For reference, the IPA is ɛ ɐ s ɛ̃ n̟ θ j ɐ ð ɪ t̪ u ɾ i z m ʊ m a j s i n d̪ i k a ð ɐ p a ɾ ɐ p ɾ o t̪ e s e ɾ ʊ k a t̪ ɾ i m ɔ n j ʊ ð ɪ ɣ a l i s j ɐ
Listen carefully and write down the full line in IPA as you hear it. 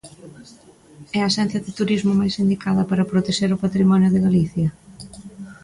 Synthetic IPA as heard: ɛ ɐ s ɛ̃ n̟ θ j ɐ ð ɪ t̪ u ɾ i z m ʊ m a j s i n d̪ i k a ð ɐ p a ɾ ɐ p ɾ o t̪ e ʃ e ɾ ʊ p a t̪ ɾ i m ɔ n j ʊ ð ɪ ɣ a l i θ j ɐ